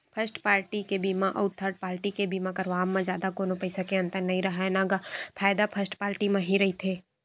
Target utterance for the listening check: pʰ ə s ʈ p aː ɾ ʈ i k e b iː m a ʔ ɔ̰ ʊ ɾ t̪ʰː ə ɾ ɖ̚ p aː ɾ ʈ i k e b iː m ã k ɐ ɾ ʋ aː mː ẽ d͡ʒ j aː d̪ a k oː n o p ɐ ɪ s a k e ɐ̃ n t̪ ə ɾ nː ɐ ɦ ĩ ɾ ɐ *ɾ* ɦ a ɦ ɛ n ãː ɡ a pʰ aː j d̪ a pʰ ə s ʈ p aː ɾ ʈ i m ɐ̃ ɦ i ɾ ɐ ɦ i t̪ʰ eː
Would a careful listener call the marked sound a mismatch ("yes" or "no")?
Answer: yes